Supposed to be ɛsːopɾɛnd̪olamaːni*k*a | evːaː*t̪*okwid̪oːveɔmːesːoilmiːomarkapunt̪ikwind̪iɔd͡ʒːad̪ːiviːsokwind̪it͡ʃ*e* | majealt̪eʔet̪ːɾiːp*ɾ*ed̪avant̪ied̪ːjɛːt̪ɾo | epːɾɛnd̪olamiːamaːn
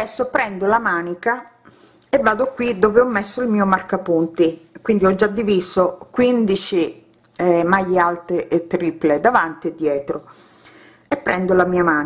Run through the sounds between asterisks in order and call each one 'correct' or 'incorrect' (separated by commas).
correct, incorrect, incorrect, incorrect